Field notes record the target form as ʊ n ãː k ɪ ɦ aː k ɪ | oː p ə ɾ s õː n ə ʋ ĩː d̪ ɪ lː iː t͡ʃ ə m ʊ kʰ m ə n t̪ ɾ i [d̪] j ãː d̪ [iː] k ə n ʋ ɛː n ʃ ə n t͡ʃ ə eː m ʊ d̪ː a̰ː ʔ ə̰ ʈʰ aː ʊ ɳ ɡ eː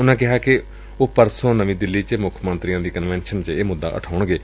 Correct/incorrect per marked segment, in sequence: incorrect: none, correct

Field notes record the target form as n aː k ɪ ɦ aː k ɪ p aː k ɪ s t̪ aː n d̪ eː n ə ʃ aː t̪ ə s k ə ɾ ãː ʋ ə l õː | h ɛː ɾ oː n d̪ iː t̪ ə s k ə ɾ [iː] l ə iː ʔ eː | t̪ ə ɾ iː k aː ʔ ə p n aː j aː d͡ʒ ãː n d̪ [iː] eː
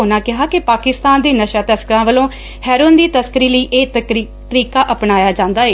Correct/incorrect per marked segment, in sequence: correct, incorrect: aː

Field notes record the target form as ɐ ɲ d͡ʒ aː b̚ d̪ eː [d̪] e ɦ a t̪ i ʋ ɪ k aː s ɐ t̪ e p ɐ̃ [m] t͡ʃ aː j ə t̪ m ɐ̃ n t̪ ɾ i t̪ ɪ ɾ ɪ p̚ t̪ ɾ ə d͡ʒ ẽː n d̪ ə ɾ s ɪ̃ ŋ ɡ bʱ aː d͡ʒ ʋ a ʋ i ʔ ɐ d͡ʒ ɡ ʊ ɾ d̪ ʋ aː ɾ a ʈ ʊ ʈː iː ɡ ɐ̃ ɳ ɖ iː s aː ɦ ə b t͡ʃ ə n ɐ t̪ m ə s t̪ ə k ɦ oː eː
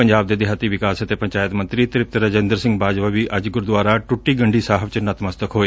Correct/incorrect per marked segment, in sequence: correct, incorrect: ɲ

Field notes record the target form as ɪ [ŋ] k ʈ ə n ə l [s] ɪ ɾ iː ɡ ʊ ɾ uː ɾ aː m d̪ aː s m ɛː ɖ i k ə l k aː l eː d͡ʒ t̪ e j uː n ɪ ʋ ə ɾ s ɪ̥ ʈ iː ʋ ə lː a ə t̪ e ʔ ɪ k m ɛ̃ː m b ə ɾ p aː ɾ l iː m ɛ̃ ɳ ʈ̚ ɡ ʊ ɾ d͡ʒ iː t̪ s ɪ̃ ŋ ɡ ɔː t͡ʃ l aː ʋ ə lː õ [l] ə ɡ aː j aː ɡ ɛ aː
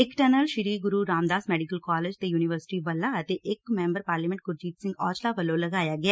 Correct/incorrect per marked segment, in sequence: incorrect: none, incorrect: ʃ, correct

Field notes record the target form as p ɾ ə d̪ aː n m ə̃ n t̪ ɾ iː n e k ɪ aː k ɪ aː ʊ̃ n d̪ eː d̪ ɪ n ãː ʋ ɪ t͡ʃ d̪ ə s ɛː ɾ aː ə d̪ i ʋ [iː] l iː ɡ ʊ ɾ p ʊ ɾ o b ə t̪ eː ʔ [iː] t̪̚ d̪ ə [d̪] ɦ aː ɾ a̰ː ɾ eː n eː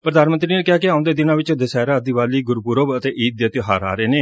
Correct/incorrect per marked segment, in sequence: incorrect: aː, correct, incorrect: t̪

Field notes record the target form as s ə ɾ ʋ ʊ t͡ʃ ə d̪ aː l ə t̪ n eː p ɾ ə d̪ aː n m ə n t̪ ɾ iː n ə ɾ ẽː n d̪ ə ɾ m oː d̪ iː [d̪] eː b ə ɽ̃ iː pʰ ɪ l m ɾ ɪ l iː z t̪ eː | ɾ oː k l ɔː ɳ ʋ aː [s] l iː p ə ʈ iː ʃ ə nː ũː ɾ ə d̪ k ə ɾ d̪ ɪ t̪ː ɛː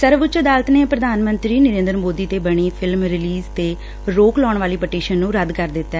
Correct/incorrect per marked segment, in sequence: incorrect: t̪, incorrect: none

